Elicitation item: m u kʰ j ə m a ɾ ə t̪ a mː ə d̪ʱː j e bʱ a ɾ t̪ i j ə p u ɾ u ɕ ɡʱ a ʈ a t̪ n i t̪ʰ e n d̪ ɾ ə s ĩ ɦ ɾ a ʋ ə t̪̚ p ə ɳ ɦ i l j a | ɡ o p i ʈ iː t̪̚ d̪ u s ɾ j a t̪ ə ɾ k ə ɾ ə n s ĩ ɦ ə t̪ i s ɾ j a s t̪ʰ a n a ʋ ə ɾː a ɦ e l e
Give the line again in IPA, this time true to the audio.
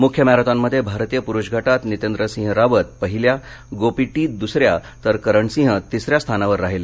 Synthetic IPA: m u kʰ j ə m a ɾ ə t̪ a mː ə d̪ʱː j e bʱ a ɾ t̪ i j ə p u ɾ u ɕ ɡʱ a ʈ a t̪ n i t̪ e n d̪ ɾ ə s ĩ ɦ ɾ a ʋ ə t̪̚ p ə ɦ i l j a | ɡ o p i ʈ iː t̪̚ d̪ u s ɾ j a t̪ ə ɾ k ə ɾ ə ɳ s ĩ ɦ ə t̪ i s ɾ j a s t̪ʰ a n a ʋ ə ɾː a ɦ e l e